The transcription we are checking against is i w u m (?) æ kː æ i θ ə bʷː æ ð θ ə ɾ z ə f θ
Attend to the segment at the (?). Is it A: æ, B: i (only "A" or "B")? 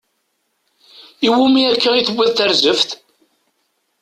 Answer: B